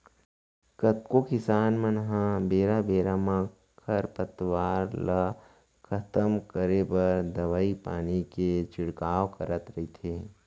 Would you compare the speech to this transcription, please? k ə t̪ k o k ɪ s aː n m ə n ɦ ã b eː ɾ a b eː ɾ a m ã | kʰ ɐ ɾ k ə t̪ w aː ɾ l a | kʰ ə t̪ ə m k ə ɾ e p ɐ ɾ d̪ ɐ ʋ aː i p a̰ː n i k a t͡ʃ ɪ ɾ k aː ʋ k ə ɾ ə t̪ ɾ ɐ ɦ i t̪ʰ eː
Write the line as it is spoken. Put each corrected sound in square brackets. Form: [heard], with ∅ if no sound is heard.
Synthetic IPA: k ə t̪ k o k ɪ s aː n m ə n ɦ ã b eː ɾ a b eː ɾ a m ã | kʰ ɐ ɾ [p] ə t̪ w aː ɾ l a | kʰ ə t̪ ə m k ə ɾ e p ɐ ɾ d̪ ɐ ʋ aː i p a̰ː n i k [e] t͡ʃ ɪ [ɽ] k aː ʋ k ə ɾ ə t̪ ɾ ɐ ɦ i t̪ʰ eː